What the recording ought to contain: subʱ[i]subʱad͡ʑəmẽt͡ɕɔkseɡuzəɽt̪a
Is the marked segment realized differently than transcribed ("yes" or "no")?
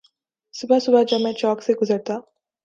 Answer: yes